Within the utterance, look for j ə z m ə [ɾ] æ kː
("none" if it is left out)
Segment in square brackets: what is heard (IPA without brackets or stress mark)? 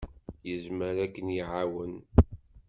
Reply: ɾ